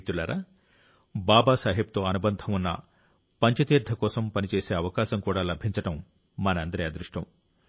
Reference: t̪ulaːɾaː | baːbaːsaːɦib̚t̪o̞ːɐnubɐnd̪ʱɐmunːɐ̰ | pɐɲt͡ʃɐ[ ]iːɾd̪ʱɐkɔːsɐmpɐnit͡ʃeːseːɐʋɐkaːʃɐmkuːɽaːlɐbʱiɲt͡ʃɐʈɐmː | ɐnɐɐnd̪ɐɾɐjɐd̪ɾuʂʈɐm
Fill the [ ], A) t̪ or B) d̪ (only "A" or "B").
A